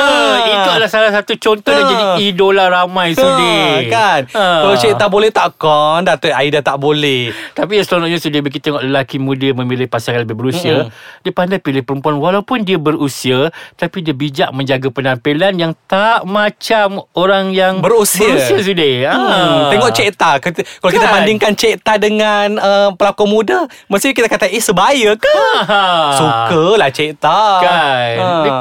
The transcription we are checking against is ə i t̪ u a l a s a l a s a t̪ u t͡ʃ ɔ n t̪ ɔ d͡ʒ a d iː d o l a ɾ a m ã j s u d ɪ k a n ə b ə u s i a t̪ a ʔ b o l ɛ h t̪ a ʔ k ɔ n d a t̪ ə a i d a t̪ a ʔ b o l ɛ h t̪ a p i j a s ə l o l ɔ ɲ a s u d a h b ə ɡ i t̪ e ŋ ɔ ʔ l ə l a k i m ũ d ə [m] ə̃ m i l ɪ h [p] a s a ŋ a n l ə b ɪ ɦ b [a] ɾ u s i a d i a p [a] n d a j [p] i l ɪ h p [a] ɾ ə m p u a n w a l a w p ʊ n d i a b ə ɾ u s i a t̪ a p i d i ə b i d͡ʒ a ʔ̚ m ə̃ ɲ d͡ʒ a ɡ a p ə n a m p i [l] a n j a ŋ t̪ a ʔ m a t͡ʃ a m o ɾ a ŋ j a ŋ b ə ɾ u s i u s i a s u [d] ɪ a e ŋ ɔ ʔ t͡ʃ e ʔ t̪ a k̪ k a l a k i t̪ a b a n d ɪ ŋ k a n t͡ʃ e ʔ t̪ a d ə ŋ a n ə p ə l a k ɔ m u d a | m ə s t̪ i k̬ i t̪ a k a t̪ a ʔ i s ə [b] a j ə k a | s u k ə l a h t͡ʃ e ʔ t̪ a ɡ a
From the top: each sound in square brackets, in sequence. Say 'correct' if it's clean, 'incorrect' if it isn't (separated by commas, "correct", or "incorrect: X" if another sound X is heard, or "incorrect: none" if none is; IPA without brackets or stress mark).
correct, correct, incorrect: ə, correct, correct, incorrect: ə, correct, correct, correct